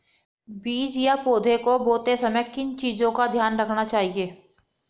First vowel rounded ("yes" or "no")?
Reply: no